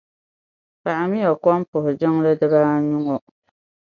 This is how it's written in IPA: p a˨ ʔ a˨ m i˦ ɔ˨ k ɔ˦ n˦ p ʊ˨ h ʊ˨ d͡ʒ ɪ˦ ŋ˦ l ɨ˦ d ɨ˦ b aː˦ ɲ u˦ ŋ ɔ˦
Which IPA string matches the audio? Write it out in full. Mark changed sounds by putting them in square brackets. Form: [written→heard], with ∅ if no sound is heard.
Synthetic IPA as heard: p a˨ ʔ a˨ m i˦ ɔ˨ k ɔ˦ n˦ p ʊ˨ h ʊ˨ d͡ʒ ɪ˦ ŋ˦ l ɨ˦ d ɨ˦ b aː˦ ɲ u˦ ŋ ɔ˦